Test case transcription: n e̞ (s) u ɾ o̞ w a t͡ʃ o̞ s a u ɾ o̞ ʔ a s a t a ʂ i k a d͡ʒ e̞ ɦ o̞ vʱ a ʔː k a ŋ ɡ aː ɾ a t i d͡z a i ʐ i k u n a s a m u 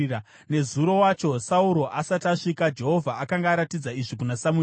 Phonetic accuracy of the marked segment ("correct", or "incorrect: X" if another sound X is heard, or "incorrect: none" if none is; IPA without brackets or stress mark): incorrect: z